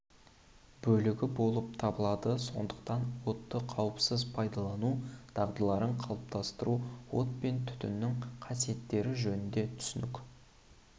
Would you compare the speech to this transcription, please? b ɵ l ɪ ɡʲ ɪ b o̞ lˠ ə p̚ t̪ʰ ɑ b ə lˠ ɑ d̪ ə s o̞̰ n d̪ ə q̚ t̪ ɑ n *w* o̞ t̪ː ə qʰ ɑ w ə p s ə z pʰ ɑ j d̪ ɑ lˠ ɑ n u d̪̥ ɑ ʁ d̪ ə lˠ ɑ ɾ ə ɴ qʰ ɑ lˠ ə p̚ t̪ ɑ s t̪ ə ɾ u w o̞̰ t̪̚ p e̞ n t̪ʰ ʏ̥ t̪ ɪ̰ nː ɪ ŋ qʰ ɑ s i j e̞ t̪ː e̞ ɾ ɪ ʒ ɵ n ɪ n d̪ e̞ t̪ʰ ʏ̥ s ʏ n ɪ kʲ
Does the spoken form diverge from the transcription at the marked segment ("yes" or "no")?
no